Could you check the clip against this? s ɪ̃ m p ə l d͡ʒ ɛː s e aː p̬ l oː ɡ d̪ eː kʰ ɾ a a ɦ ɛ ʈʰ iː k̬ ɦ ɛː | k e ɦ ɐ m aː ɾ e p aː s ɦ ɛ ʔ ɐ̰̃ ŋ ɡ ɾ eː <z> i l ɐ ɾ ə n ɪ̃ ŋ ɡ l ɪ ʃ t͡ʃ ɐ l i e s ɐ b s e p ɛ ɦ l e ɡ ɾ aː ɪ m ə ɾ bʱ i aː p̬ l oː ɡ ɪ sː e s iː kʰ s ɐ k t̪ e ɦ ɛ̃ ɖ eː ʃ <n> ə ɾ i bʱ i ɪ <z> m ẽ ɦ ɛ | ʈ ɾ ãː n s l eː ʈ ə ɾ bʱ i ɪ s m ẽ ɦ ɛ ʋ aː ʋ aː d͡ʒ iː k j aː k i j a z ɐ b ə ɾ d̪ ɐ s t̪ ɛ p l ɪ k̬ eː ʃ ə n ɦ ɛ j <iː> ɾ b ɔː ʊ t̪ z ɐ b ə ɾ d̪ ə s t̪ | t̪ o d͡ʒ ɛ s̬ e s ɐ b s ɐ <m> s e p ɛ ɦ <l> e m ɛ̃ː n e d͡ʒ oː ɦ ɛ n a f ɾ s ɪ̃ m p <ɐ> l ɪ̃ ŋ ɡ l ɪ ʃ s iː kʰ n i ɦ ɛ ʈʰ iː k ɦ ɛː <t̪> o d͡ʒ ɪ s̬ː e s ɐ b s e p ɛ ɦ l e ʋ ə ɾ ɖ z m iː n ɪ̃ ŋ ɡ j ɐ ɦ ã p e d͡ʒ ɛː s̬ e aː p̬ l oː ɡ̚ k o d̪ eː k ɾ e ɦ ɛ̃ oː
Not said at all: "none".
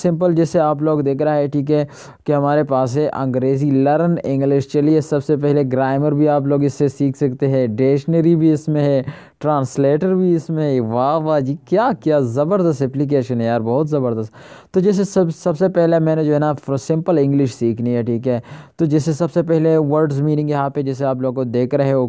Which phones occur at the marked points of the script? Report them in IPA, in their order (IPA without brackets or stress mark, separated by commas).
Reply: z, n, s, aː, b, l, ə, t̪